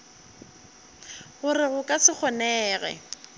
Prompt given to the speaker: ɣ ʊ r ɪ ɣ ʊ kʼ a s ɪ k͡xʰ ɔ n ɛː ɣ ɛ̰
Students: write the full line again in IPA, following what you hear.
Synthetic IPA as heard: ɣ ʊ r ɪ ɣ ʊ kʼ a s ɪ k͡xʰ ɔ n ɛː ɣ ɛ̰

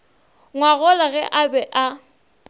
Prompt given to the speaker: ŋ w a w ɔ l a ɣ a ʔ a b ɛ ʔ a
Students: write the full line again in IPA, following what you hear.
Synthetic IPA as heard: ŋ w a ɣ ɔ l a ɣ ɛ ʔ a b ɛ ʔ a

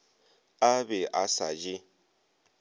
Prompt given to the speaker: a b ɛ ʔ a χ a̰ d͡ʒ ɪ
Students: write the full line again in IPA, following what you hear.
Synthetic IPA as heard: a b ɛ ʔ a s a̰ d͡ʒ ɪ

